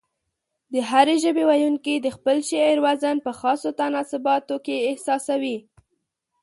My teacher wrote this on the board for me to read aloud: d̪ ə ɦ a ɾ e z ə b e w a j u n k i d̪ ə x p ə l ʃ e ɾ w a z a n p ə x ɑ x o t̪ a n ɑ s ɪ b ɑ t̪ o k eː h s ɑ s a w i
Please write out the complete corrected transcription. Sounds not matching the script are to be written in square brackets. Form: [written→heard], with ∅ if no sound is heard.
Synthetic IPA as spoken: d̪ ə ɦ a ɾ e [z→ʒ] ə b e w a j u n k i d̪ ə x p ə l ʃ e ɾ w a z a n p ə x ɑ [x→s] o t̪ a n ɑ s ɪ b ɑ t̪ o k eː h s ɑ s a w i